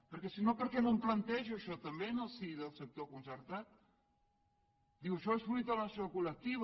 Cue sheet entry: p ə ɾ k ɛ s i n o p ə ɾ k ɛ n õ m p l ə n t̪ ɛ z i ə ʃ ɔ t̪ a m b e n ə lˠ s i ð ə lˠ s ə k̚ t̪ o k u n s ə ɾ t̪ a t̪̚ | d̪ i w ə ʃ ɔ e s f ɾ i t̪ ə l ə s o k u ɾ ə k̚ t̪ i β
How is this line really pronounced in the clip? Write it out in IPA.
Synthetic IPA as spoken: p ə ɾ k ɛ s i n o p ə ɾ k ɛ n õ m p l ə n t̪ ɛ ʒ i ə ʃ ɔ t̪ ə m b e n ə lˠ s i ð ə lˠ s ə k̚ t̪ o k u n s ə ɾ t̪ a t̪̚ | d̪ i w ə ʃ ɔ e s f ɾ i t̪ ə l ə s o k u l ə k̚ t̪ i β